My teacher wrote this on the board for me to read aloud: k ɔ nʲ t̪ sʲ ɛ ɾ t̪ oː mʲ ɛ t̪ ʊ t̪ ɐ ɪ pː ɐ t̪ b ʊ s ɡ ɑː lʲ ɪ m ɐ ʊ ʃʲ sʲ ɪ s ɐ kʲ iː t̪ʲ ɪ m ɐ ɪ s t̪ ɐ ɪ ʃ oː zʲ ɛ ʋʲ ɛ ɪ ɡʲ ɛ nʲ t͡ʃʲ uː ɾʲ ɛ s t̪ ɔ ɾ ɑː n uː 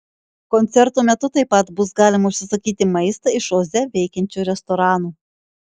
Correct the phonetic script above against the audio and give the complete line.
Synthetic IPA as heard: k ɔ nʲ t̪ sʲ ɛ ɾ t̪ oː mʲ ɛ t̪ ʊ t̪ ɐ ɪ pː ɐ t̪ b ʊ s ɡ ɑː lʲ ɪ m ɐ ʊ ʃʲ sʲ ɪ s ɐ kʲ iː t̪ʲ ɪ m ɐ ɪ s t̪ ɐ ɪ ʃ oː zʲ ɛ ʋʲ ɛ ɪ kʲ ɛ nʲ t͡ʃʲ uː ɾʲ ɛ s t̪ ɔ ɾ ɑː n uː